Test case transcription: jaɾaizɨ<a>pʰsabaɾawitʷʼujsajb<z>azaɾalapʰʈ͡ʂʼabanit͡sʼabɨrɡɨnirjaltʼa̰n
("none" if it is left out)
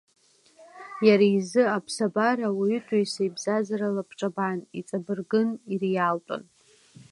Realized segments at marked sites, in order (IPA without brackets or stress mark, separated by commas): a, z